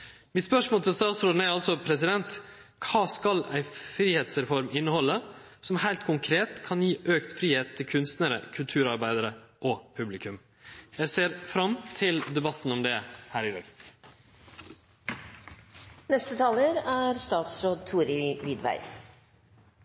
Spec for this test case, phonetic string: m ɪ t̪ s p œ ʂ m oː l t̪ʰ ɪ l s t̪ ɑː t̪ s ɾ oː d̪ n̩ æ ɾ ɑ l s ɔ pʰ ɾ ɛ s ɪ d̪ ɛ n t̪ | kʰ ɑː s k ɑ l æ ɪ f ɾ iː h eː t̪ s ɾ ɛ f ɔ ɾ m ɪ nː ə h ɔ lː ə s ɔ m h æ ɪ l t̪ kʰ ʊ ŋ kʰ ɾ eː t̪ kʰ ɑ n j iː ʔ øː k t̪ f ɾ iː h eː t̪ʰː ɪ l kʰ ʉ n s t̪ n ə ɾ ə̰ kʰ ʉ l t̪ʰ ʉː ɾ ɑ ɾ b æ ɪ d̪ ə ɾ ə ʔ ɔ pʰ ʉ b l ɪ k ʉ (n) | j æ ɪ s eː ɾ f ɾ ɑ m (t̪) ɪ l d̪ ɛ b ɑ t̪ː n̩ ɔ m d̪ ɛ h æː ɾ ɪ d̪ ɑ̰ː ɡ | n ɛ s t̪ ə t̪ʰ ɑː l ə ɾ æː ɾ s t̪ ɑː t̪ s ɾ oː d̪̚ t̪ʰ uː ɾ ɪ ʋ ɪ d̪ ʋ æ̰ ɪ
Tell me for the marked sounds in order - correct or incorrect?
incorrect: m, incorrect: t̪ʰ

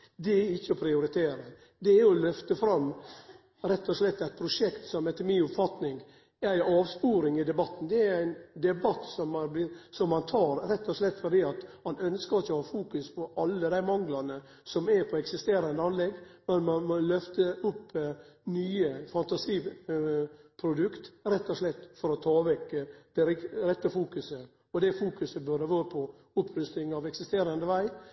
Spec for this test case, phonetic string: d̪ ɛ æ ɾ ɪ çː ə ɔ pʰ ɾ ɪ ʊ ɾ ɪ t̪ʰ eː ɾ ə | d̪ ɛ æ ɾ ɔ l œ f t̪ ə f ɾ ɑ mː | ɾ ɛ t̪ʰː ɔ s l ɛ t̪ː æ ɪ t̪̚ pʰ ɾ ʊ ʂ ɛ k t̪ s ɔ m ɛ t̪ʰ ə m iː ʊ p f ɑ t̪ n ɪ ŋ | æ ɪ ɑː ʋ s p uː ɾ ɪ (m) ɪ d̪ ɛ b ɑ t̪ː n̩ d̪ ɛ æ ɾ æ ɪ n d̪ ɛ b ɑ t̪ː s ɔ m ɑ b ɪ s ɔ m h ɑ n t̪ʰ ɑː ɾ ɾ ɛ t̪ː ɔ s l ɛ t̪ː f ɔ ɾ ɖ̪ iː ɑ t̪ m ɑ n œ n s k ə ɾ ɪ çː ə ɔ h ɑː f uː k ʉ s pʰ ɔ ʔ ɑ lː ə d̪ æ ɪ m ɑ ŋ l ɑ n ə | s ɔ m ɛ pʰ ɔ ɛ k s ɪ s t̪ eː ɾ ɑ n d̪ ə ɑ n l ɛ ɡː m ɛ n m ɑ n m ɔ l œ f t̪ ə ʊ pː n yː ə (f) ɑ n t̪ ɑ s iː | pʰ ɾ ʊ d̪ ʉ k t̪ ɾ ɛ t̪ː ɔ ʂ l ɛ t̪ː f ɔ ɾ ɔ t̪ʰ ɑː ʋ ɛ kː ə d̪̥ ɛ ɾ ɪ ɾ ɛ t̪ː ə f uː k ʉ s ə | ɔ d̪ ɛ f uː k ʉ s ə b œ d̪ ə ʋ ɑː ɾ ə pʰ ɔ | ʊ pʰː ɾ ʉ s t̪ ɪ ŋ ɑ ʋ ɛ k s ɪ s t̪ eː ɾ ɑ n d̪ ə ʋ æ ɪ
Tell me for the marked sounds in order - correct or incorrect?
incorrect: ŋ, correct

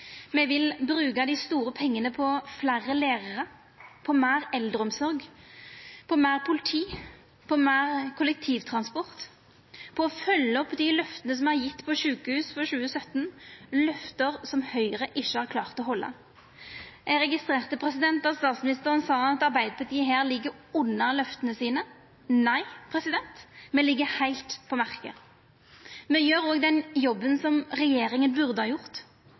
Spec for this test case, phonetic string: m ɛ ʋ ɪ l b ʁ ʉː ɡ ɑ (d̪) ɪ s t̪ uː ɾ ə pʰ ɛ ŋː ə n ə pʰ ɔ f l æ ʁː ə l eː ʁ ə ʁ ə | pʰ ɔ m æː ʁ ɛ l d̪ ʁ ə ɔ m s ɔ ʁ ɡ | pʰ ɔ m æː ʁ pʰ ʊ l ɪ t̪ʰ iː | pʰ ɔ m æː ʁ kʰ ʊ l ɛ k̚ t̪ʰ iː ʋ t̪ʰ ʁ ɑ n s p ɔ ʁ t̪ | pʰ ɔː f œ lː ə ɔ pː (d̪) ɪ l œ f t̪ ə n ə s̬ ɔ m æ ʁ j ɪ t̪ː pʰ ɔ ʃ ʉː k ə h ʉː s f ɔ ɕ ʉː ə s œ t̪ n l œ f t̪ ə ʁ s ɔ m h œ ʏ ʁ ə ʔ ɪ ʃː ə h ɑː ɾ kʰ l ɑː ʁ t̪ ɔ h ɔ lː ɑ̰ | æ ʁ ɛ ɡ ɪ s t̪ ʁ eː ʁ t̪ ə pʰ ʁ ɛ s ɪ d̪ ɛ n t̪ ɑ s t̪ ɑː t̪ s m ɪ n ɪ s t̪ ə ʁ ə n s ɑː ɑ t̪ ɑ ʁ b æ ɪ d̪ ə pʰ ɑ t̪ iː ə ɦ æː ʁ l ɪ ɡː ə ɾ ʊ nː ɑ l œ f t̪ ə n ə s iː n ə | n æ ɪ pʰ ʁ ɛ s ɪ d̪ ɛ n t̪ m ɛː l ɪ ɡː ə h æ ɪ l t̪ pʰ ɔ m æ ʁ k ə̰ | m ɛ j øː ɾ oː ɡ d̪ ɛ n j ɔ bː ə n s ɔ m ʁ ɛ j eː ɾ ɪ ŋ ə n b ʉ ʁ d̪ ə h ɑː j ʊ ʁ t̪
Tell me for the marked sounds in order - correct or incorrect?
correct, correct

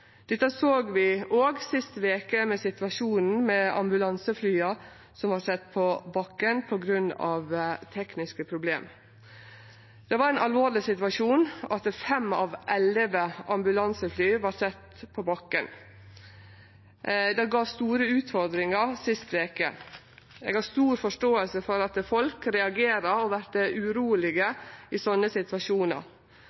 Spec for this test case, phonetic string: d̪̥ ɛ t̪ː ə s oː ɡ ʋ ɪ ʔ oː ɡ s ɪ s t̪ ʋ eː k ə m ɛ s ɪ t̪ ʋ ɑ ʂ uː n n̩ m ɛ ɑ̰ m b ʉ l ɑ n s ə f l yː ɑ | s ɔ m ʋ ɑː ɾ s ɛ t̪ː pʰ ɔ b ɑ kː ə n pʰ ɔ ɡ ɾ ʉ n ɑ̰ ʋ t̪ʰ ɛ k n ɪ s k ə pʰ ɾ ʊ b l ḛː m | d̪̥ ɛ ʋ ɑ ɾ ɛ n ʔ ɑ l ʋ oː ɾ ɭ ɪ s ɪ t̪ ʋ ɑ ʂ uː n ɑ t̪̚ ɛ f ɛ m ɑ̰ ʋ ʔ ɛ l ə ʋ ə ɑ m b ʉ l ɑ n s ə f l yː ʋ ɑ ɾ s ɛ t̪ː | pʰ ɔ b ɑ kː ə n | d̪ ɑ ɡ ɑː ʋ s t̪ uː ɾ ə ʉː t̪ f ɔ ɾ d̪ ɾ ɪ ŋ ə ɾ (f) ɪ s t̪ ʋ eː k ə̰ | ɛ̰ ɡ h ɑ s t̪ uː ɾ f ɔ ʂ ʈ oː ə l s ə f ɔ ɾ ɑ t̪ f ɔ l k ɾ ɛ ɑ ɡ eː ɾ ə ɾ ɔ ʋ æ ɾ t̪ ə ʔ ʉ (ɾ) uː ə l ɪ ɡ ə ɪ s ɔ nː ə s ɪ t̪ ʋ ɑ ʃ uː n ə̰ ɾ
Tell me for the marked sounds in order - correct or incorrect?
incorrect: s, correct

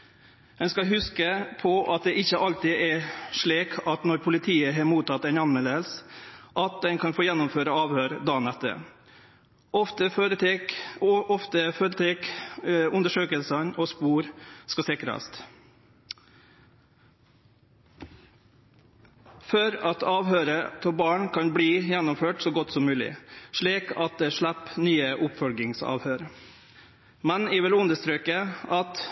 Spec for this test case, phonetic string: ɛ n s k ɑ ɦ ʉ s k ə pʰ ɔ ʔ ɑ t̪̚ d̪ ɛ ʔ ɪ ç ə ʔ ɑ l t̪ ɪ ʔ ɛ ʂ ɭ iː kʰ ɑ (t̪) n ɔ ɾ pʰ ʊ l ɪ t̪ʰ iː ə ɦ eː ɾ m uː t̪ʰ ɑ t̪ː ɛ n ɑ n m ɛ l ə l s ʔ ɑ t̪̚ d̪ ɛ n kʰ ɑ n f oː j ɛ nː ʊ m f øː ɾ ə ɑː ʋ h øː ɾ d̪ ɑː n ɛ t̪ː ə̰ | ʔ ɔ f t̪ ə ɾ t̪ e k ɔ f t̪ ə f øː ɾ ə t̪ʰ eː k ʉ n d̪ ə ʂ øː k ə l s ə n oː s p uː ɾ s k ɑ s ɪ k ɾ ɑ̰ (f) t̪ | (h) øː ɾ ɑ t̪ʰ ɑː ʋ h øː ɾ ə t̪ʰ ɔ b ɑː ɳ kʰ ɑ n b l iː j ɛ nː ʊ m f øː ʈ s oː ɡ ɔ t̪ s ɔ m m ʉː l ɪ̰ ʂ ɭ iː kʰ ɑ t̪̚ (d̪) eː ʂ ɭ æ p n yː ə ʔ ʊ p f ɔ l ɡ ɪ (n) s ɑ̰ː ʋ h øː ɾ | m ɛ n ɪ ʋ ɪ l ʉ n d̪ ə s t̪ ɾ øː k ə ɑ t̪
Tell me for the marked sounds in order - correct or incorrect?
correct, incorrect: s, incorrect: f, correct, incorrect: ŋ

